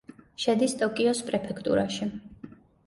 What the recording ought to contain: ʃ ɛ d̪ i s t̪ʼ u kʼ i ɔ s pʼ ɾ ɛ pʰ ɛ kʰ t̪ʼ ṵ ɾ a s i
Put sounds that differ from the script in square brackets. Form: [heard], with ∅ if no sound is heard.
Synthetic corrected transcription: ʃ ɛ d̪ i s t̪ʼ [ɔ] kʼ i ɔ s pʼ ɾ ɛ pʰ ɛ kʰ t̪ʼ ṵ ɾ a [ʃ] i